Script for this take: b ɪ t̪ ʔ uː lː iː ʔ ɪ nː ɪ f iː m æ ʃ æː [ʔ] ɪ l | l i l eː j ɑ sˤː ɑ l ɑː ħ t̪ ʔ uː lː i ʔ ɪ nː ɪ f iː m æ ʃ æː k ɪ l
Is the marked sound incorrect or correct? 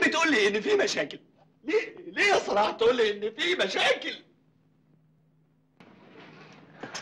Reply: incorrect: k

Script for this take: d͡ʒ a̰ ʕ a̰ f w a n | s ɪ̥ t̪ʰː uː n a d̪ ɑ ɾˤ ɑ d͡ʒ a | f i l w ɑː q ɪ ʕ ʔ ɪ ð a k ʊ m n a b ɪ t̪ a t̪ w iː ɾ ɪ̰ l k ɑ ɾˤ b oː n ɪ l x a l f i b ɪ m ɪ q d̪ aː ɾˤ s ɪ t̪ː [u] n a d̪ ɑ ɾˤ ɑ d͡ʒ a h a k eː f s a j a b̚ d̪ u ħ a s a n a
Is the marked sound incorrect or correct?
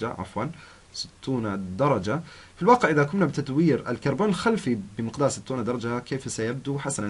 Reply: incorrect: uː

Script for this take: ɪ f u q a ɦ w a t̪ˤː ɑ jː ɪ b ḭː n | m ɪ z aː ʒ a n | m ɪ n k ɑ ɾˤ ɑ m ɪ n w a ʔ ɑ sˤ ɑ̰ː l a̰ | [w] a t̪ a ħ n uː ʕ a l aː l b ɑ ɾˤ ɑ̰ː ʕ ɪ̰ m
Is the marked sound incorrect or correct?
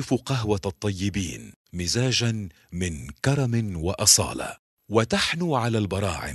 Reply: correct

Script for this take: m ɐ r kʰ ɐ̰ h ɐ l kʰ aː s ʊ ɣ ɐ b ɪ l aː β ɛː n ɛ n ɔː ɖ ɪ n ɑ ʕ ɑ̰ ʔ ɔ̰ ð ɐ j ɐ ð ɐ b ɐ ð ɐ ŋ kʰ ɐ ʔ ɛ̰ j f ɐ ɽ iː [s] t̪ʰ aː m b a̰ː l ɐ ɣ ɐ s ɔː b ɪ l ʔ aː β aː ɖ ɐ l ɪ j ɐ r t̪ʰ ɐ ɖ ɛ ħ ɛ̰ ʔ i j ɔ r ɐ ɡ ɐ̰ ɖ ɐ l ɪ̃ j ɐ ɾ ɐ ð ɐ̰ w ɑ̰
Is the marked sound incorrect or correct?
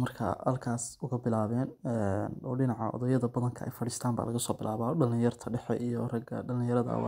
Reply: correct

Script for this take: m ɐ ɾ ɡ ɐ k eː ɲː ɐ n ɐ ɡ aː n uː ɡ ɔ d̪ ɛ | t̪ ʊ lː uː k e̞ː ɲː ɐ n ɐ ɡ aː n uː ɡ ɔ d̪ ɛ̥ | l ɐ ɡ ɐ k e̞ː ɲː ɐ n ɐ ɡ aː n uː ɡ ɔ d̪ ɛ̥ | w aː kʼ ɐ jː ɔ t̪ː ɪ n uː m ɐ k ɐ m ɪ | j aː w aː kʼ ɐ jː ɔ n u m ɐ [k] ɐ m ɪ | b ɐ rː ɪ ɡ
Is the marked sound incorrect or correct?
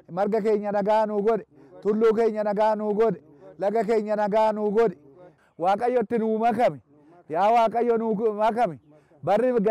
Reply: correct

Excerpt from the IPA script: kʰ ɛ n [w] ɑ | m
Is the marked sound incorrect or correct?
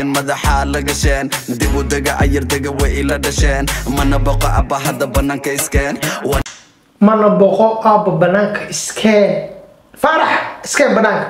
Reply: correct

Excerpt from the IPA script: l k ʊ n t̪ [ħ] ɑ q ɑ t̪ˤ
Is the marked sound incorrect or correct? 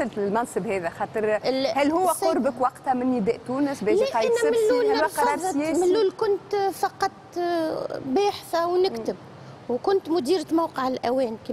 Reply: incorrect: f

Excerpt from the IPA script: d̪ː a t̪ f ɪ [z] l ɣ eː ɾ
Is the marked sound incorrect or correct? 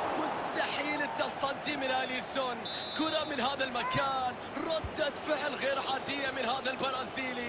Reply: incorrect: ʕ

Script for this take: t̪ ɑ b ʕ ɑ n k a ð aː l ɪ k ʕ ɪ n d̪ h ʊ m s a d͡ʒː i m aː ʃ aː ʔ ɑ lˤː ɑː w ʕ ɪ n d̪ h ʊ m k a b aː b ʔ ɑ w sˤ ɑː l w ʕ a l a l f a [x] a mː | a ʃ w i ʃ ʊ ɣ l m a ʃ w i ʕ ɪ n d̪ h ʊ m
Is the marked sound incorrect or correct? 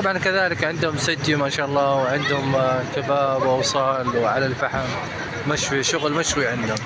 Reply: incorrect: ħ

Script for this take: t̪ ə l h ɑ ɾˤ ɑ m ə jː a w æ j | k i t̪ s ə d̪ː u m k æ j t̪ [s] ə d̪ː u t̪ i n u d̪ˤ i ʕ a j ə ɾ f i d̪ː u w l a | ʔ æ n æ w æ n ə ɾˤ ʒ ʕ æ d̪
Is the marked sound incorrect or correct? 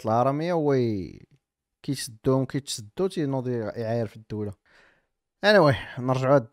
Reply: correct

